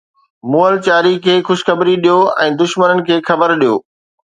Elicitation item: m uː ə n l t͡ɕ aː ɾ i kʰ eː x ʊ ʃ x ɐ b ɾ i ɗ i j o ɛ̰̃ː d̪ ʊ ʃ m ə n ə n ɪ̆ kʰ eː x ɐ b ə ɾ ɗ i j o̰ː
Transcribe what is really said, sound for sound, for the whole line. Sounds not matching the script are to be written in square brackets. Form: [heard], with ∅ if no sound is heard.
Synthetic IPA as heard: m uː ə [∅] l t͡ɕ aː ɾ i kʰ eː x ʊ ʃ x ɐ b ɾ i ɗ i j o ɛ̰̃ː d̪ ʊ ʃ m ə n ə n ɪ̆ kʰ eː x ɐ b ə ɾ ɗ i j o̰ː